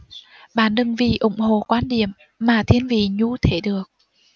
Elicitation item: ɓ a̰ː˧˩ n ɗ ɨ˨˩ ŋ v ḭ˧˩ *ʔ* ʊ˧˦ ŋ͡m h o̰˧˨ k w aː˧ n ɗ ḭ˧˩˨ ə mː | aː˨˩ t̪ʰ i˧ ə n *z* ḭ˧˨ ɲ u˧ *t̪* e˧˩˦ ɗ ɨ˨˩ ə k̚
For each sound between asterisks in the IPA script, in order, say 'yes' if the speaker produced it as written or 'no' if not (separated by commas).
yes, no, no